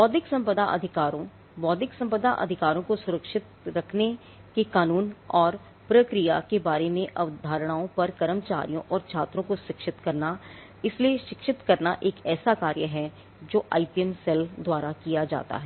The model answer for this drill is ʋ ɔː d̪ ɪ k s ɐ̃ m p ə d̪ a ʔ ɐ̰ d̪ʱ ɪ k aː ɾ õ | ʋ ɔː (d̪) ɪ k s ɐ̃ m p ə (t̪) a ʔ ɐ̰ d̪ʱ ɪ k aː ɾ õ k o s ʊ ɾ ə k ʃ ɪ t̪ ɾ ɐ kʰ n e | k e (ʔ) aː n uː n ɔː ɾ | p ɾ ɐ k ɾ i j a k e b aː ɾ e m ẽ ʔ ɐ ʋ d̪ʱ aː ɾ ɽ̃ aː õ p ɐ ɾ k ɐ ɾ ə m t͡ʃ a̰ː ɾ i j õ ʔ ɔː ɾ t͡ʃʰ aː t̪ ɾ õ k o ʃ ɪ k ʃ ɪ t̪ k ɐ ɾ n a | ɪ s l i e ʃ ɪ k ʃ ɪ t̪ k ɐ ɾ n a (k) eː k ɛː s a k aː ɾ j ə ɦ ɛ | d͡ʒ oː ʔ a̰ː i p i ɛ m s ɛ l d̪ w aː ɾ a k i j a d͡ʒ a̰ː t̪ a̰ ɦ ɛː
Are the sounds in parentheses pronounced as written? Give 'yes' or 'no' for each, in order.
yes, no, no, no

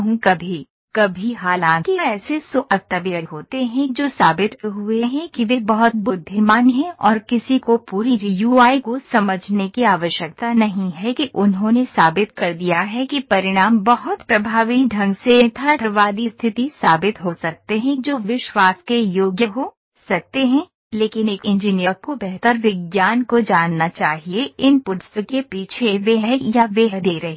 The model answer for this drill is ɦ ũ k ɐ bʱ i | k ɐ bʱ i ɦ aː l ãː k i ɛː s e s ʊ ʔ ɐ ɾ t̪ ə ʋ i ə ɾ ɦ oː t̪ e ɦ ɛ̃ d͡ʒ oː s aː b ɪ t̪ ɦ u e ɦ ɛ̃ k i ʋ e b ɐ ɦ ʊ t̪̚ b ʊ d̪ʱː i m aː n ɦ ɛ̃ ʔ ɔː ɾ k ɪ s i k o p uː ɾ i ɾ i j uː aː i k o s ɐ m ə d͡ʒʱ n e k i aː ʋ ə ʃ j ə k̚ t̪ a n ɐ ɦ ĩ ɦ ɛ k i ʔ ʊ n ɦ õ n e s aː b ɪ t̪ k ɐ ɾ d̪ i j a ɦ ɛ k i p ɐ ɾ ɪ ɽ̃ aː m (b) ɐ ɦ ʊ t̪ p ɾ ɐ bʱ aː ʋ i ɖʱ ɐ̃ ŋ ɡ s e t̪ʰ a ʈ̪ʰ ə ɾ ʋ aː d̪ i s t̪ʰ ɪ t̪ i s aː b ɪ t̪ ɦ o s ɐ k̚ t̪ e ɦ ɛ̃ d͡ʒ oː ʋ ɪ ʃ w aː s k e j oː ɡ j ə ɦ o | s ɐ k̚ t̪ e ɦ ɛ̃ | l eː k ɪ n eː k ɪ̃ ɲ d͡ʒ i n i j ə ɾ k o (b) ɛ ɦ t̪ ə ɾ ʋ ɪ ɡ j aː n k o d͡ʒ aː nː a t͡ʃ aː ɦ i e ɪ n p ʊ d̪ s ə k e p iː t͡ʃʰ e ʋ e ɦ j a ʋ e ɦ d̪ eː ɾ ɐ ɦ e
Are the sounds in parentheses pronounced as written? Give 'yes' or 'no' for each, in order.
yes, yes

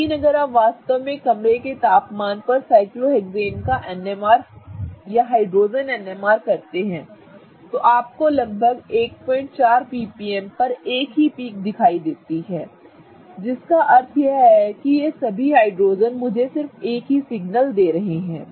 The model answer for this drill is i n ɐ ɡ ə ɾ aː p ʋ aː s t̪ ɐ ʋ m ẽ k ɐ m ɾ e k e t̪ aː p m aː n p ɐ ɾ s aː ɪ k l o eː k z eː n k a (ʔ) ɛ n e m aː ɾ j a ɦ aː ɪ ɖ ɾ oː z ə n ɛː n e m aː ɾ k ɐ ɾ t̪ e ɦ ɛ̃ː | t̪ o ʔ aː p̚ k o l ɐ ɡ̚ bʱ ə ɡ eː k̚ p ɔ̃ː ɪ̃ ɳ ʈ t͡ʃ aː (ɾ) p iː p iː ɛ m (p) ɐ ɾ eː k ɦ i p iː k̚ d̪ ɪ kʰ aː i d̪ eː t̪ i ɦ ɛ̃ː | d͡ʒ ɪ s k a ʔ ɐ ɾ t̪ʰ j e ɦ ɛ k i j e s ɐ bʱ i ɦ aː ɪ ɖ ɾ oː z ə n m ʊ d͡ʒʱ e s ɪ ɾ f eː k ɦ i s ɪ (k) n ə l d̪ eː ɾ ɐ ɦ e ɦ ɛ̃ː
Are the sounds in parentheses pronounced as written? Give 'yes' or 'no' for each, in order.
yes, yes, yes, no

